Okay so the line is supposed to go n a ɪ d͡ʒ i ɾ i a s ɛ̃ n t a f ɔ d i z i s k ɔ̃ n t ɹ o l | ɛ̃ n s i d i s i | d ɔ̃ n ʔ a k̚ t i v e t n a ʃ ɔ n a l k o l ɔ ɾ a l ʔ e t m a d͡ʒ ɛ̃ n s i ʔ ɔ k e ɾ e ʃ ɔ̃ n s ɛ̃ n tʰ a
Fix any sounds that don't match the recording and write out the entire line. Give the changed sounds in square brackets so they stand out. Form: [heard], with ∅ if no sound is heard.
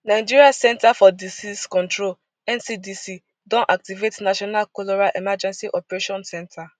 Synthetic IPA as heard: n a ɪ d͡ʒ i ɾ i a s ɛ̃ n t a f ɔ d i [s] i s k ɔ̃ n t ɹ o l | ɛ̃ n s i d i s i | d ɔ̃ n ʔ a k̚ t i v e t n a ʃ ɔ n a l k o l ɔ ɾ a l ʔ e [∅] m a d͡ʒ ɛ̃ n s i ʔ ɔ [p] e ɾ e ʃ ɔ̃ n s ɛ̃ n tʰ a